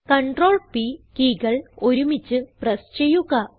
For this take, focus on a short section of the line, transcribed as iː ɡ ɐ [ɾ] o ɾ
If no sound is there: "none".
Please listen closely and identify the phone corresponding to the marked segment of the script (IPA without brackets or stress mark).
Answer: ɭ